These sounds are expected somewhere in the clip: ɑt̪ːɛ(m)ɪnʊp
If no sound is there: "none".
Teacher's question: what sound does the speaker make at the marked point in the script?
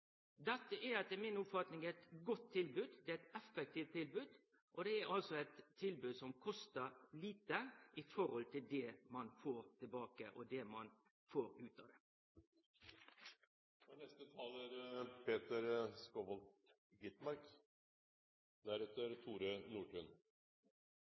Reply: m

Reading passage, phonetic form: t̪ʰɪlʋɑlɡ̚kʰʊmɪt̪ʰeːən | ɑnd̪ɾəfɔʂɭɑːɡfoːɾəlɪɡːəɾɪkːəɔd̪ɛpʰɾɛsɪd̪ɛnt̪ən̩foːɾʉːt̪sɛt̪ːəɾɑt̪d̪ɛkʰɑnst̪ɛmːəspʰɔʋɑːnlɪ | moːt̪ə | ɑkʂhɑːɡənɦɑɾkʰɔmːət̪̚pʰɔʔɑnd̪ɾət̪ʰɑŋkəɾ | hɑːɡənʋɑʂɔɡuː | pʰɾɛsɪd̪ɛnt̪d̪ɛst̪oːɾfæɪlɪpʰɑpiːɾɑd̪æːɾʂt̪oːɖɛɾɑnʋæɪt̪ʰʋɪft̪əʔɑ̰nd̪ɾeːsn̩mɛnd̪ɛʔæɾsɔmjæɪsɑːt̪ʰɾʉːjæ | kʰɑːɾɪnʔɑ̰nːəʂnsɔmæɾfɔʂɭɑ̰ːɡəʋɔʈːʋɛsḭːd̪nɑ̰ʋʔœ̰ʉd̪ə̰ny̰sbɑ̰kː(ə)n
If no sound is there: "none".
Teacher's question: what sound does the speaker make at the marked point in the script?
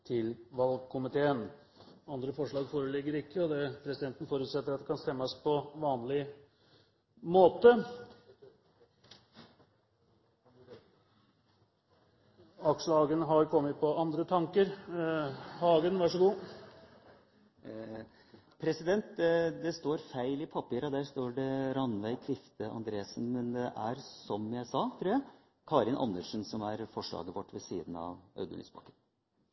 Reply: ə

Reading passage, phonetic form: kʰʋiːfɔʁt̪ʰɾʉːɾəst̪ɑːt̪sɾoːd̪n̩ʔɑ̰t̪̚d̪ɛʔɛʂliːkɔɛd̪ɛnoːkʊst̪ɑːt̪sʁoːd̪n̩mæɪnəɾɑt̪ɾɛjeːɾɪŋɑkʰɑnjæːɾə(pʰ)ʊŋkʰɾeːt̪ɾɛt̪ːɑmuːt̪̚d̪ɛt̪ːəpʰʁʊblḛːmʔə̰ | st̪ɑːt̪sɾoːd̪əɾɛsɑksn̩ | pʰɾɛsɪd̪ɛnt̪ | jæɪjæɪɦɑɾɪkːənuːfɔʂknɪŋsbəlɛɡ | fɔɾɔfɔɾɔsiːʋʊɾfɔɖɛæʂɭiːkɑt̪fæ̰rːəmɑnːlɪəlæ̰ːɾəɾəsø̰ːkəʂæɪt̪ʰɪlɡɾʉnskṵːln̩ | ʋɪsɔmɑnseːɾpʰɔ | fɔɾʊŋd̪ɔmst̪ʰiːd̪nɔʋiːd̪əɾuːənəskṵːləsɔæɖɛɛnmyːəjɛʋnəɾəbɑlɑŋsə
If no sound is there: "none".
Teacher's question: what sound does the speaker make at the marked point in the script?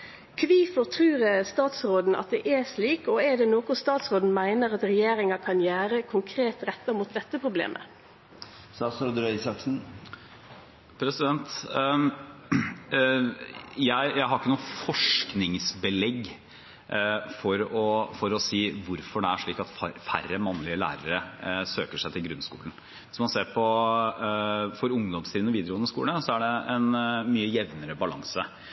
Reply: kʰ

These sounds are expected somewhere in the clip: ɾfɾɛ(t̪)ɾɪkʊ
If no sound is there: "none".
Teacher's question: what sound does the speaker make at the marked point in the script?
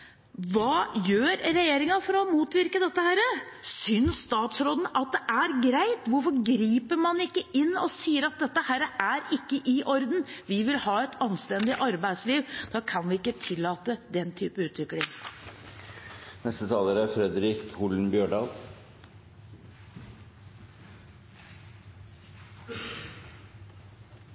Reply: d̪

